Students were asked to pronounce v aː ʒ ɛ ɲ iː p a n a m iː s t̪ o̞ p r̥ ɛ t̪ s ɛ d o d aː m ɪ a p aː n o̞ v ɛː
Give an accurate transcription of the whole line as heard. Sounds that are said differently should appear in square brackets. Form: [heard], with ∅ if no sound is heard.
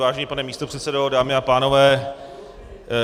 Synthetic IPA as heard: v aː ʒ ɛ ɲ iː p a n [ɛ] m iː s t̪ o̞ p r̥ ɛ t̪ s ɛ d o d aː m ɪ a p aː n o̞ v ɛː